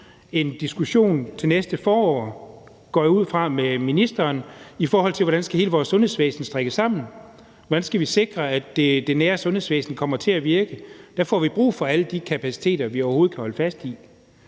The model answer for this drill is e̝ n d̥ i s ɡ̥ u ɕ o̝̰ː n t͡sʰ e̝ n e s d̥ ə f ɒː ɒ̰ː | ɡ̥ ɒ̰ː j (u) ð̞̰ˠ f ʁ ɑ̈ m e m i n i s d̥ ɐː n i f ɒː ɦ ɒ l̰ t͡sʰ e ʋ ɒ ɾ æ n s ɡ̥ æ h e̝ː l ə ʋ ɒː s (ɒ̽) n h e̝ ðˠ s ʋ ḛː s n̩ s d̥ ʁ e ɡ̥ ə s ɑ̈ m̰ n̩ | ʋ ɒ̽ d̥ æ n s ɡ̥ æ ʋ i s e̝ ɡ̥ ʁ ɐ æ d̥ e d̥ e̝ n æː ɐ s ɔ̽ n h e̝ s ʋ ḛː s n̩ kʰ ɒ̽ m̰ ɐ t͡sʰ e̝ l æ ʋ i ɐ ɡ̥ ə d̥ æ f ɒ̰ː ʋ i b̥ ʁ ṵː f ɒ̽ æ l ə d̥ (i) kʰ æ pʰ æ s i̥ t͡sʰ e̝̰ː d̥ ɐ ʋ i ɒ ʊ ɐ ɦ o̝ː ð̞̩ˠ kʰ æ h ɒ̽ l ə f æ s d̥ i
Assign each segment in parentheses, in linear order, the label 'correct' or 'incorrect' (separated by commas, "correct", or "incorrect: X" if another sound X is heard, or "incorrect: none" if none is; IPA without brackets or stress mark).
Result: correct, incorrect: ɔ̽, correct